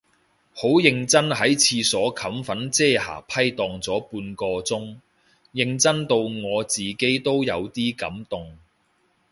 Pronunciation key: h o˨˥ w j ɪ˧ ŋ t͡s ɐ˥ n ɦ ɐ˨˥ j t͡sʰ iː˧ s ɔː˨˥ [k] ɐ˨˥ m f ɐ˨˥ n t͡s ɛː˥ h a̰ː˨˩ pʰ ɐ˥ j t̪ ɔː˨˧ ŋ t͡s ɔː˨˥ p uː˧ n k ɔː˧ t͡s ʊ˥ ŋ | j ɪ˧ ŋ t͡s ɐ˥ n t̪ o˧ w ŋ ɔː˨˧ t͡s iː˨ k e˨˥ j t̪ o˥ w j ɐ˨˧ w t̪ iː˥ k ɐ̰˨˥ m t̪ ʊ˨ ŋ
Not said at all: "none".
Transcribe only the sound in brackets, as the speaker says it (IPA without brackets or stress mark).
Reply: kʰ